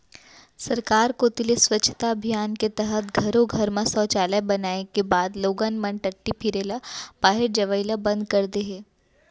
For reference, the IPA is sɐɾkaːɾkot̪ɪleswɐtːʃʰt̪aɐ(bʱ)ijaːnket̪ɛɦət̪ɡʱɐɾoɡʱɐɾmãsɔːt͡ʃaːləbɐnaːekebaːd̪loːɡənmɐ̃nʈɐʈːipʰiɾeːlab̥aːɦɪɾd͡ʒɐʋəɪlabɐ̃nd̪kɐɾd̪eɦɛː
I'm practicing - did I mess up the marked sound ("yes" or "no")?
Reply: no